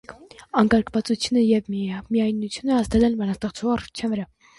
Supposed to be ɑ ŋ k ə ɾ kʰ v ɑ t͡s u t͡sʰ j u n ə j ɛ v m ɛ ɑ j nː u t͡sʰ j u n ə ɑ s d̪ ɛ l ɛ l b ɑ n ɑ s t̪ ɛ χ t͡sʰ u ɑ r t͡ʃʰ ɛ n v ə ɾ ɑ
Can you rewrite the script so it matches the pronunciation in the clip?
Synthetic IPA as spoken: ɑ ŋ k ɑ ɾ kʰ v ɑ t͡s u t͡sʰ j u n ə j ɛ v m i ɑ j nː u t͡sʰ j u n ə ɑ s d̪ ɛ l ɛ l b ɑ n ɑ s t̪ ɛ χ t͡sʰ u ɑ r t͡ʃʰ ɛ n v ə ɾ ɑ